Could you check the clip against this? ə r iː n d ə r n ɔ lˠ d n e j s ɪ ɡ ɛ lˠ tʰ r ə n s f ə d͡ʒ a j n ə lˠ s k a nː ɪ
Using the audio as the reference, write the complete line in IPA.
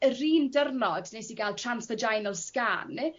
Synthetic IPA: ə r iː n d ə r n ɔ d n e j s i ɡ a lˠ tʰ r a n s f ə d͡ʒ a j n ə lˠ s k a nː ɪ